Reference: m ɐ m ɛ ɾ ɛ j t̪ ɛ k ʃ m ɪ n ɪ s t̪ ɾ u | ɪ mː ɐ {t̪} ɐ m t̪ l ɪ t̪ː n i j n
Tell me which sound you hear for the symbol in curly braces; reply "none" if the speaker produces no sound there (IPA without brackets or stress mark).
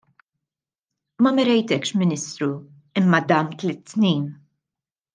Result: d̪